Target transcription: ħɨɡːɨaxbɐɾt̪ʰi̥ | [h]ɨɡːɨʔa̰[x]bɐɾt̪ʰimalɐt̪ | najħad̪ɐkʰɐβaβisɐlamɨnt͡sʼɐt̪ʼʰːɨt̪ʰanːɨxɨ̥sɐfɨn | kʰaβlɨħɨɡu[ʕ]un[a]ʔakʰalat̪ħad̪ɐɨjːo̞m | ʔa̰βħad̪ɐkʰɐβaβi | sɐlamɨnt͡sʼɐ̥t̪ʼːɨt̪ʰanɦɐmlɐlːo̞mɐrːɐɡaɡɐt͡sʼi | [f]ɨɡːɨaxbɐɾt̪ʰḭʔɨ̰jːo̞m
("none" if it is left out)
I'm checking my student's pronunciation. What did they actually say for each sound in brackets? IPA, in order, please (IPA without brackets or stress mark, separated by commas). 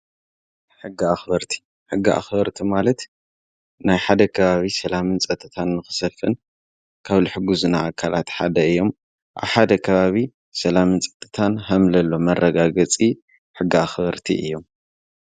ħ, x, z, a, ħ